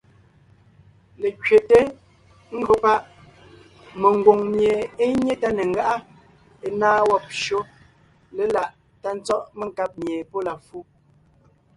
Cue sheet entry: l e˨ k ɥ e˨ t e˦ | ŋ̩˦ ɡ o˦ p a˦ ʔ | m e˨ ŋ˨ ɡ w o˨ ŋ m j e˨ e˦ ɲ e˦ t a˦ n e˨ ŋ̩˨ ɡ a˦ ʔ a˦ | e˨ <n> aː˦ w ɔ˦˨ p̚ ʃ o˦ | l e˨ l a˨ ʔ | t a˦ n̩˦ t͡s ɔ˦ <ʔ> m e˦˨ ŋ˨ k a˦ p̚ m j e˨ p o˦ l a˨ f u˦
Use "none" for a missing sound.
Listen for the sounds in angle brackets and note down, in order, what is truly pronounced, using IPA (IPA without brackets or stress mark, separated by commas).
n, ʔ